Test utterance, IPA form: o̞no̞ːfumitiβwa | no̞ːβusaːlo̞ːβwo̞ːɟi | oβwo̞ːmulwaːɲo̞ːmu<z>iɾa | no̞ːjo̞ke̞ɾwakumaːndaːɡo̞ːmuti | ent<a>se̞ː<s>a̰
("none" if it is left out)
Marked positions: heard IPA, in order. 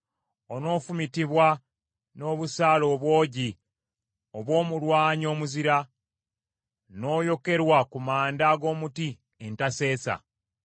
z, a, s

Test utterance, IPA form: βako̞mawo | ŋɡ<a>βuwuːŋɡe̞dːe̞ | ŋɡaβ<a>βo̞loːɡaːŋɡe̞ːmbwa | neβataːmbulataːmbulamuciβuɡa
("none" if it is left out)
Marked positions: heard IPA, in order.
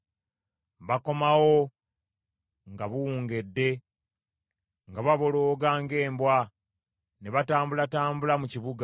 a, a

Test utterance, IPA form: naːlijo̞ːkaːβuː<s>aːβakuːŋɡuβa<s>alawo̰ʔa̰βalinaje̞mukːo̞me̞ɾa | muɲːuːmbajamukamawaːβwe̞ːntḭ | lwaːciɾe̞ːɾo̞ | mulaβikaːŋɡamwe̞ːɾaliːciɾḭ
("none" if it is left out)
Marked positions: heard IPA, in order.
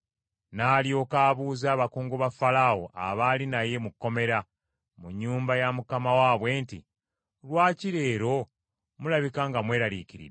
z, f

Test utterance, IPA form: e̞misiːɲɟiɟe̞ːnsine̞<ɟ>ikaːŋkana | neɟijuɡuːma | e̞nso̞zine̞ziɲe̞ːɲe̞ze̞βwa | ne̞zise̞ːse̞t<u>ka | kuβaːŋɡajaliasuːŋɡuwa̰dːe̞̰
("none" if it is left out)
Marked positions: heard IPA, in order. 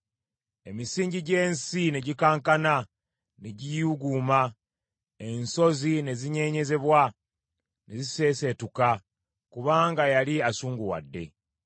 ɟ, u

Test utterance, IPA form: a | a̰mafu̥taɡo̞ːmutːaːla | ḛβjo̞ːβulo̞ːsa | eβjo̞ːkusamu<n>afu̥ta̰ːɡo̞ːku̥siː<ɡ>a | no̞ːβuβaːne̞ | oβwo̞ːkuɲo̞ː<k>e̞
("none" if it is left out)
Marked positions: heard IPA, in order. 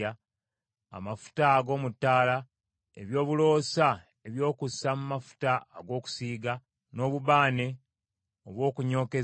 m, ɡ, k

